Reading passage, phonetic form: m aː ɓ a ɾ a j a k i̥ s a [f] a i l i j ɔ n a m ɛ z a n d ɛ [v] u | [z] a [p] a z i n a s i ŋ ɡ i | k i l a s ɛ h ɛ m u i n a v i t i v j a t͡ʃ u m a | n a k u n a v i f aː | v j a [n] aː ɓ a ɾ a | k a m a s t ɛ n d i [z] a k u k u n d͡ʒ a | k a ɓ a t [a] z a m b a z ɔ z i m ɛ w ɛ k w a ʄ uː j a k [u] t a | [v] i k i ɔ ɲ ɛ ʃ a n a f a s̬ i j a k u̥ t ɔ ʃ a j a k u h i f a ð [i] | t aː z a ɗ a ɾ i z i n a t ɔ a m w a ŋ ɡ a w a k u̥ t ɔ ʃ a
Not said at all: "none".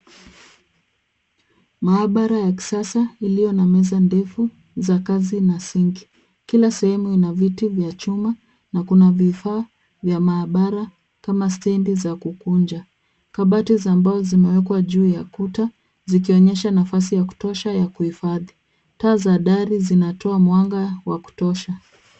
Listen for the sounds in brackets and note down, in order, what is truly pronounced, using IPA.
s, f, z, k, m, z, i, u, z, i

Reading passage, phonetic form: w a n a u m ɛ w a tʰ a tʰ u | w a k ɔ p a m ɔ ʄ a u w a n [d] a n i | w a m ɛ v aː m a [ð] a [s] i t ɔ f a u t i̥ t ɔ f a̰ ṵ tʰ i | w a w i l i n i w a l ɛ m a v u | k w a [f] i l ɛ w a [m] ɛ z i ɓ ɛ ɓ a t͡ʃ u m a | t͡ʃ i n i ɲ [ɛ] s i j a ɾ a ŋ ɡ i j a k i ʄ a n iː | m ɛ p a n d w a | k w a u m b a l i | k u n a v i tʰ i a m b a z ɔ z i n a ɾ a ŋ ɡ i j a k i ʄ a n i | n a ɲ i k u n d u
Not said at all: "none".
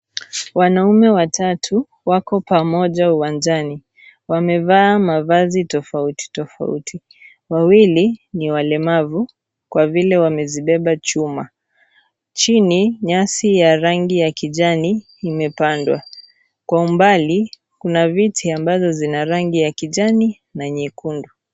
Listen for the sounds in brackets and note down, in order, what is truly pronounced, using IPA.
d͡ʒ, v, z, v, m, a

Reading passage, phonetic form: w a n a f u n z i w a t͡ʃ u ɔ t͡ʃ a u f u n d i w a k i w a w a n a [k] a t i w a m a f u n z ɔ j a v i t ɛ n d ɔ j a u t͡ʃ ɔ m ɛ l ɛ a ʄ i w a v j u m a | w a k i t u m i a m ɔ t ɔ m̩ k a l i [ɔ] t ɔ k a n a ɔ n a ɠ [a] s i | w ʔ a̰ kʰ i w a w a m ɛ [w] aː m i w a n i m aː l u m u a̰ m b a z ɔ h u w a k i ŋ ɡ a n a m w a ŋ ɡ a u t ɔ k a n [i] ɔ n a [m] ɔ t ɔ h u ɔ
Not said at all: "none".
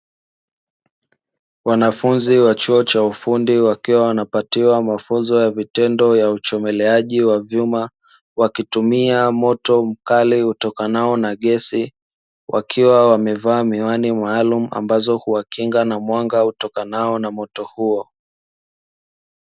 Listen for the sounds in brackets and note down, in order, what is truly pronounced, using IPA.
p, u, ɛ, v, a, m

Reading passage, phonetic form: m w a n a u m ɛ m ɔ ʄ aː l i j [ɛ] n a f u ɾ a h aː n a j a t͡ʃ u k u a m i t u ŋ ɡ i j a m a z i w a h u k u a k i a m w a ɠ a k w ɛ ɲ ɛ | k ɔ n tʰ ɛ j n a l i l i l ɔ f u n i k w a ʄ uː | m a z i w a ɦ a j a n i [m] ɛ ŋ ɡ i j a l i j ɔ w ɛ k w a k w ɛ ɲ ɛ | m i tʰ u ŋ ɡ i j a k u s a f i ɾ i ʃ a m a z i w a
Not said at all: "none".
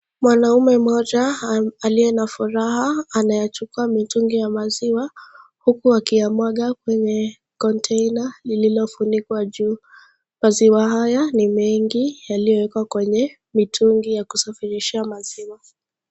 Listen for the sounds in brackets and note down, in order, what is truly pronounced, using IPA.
ɛ, m

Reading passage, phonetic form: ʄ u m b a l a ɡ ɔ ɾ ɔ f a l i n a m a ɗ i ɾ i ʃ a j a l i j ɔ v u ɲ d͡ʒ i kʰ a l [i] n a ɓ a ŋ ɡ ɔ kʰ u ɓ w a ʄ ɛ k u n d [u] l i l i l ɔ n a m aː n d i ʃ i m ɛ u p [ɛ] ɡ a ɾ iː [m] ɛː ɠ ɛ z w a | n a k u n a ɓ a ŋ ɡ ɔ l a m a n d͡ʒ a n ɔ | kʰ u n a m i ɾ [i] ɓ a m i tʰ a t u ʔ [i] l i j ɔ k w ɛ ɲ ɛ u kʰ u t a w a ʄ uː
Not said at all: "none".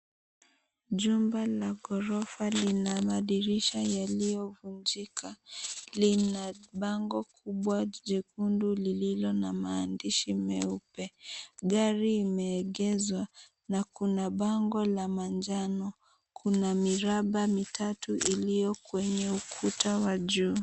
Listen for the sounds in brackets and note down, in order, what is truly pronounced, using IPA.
i, u, ɛ, m, a, i

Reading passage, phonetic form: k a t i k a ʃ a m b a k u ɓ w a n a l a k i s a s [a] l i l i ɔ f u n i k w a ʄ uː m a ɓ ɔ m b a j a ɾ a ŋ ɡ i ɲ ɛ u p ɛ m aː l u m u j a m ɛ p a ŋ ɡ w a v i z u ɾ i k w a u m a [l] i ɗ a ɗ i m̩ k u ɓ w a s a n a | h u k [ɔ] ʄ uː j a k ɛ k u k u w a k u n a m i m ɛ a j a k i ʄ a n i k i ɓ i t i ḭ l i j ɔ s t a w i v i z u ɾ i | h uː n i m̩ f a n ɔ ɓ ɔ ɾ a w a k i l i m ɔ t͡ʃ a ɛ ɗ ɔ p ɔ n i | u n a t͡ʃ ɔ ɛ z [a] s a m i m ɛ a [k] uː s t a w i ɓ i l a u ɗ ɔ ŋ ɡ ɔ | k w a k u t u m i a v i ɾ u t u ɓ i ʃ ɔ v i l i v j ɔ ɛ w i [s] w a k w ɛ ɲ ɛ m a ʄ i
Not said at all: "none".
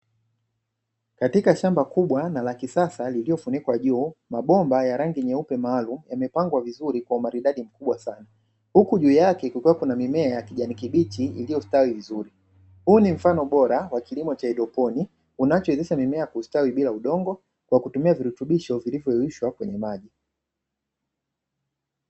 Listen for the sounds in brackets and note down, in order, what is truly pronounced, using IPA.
a, ɾ, u, i, k, ʃ

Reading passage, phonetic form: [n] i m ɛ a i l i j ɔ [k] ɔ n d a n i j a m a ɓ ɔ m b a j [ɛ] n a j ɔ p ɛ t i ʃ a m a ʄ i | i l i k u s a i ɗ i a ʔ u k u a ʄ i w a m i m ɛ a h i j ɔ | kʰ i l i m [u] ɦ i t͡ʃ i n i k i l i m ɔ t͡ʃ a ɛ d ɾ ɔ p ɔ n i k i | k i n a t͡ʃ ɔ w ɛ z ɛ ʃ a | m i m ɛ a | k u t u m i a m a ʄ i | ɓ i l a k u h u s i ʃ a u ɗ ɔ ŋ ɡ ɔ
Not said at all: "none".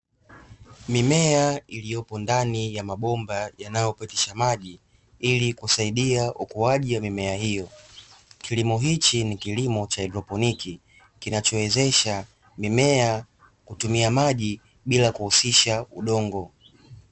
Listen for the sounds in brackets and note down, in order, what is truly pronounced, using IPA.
m, p, a, ɔ

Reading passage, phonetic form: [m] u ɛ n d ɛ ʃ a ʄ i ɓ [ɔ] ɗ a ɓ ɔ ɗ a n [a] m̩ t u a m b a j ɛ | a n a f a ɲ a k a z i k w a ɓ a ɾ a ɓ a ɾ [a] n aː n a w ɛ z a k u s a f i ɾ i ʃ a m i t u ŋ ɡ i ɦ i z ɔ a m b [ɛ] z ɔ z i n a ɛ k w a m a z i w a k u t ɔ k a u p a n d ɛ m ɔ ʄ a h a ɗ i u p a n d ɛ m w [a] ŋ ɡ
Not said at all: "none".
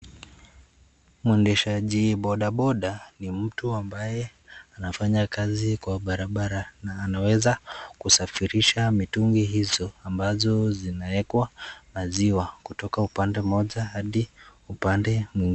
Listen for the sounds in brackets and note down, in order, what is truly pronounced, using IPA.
m, ɔ, i, a, a, i

